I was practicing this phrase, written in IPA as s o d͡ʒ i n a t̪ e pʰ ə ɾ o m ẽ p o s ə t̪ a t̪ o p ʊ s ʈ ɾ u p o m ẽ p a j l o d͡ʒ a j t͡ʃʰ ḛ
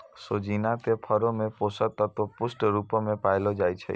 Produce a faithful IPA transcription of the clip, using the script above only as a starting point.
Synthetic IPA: s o d͡ʒ i n a t̪ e pʰ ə ɾ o m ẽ p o s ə t̪ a t̪ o p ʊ s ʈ ɾ u p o m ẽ p a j l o d͡ʒ a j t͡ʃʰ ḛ